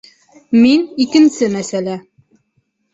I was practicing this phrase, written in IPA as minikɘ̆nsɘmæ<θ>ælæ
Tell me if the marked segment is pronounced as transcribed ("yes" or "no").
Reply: no